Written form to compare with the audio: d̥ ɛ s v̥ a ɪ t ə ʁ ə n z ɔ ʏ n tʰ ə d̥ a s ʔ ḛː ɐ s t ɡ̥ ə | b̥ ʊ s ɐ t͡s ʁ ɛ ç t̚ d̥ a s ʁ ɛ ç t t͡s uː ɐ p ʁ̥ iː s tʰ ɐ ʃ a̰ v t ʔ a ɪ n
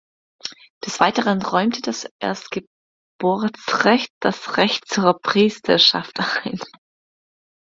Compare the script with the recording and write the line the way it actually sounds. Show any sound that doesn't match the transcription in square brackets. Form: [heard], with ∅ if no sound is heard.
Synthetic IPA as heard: d̥ ɛ s v̥ a ɪ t ə ʁ ə n [ʁ] ɔ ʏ [m] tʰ ə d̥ a s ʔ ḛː ɐ s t ɡ̥ ə | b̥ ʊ [∅] ɐ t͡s ʁ ɛ ç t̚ d̥ a s ʁ ɛ ç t t͡s uː ɐ p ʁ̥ iː s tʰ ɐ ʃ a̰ [f] t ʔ a ɪ n